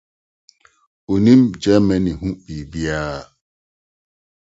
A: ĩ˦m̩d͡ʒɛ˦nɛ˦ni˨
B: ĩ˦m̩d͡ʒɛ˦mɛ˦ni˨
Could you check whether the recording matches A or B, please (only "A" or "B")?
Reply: B